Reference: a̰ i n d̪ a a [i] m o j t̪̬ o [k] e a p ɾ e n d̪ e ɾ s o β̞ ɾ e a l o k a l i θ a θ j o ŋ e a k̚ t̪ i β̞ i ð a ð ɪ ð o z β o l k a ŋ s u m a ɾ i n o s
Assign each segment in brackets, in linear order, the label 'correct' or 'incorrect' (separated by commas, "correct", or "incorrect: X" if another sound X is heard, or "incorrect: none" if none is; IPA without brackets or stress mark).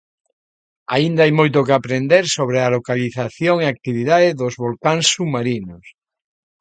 incorrect: j, correct